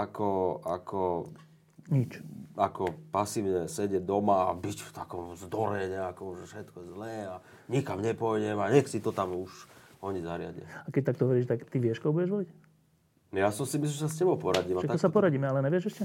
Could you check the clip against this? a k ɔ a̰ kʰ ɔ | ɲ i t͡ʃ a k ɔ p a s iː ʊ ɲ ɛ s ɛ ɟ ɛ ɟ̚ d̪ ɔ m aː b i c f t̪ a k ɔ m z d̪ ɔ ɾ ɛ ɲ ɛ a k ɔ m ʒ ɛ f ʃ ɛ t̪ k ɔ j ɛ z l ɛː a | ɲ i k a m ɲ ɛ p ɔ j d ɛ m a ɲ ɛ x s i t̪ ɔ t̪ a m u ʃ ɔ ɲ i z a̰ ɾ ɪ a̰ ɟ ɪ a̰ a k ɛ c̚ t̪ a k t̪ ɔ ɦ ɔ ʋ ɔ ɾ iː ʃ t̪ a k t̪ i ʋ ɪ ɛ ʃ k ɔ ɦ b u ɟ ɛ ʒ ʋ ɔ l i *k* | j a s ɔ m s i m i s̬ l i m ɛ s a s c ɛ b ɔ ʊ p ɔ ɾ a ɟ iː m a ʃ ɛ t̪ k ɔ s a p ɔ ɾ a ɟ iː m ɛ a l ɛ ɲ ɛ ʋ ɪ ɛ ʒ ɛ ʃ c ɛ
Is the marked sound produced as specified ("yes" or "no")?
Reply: no